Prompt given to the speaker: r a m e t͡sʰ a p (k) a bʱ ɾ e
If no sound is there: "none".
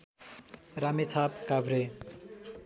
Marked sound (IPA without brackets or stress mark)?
k